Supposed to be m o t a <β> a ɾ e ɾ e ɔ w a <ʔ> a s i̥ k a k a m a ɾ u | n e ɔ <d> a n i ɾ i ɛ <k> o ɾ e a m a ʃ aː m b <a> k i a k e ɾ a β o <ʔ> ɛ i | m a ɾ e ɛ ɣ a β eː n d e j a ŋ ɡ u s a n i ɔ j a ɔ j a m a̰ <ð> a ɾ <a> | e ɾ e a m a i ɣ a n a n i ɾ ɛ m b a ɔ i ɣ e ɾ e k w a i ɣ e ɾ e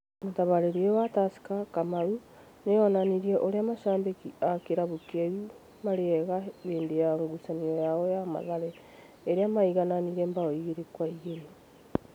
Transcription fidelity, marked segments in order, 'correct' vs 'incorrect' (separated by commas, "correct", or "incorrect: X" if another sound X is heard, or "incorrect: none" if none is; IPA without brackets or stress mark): correct, incorrect: t, incorrect: n, incorrect: ʔ, incorrect: e, incorrect: k, correct, incorrect: ɛ